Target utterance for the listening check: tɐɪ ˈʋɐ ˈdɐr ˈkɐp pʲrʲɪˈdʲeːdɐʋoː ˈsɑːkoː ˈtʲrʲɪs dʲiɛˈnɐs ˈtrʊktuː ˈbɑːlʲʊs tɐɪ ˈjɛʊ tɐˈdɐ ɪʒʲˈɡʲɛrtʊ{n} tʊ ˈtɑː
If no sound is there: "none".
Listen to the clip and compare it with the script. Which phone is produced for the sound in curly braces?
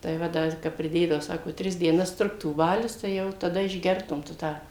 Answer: m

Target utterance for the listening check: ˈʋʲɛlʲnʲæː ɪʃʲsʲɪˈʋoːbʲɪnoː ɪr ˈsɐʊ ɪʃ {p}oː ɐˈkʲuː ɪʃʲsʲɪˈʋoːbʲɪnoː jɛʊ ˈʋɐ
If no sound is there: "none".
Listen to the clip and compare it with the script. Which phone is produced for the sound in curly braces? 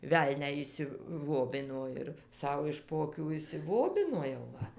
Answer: p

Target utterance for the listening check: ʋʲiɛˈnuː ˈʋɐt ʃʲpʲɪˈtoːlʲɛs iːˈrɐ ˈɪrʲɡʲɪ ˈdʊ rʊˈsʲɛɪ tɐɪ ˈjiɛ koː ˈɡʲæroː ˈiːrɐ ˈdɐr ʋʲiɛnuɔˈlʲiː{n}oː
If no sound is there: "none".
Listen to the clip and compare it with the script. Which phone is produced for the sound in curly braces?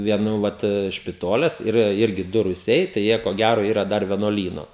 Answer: n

